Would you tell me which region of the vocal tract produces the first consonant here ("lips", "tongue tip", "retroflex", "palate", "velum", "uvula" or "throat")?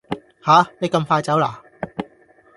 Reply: throat